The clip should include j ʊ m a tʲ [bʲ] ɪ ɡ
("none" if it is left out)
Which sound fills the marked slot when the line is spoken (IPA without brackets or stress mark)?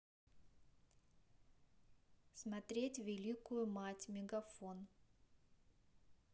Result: mʲ